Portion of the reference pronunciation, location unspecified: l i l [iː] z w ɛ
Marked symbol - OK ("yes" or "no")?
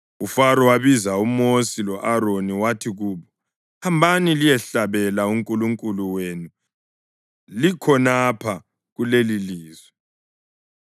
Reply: yes